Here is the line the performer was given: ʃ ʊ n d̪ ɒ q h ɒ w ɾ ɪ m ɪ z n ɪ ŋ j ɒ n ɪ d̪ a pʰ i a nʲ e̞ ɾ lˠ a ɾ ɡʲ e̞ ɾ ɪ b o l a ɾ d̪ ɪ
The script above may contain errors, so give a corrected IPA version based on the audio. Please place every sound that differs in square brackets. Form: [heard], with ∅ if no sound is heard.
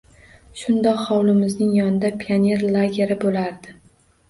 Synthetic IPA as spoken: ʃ ʊ n d̪ ɒ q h ɒ w [l] ɪ m ɪ z n ɪ ŋ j ɒ n ɪ d̪ a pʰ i a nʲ e̞ ɾ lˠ a [∅] ɡʲ e̞ ɾ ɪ b o l a ɾ d̪ ɪ